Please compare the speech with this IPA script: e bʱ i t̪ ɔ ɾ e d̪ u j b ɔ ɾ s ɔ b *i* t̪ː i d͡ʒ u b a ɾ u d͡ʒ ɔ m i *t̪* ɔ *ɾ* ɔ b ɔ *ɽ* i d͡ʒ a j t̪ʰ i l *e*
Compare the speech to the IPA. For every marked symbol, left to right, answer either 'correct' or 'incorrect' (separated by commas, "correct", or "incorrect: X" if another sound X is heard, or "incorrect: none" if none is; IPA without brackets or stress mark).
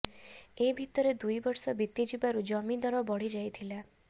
correct, incorrect: d̪, correct, correct, incorrect: a